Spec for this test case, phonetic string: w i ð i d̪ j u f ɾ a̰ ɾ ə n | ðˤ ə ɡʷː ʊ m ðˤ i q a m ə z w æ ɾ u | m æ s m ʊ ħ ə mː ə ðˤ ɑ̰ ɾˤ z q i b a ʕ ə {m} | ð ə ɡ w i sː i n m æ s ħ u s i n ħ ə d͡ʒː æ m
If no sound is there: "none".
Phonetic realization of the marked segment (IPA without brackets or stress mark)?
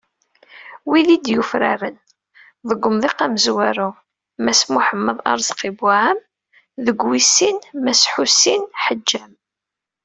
m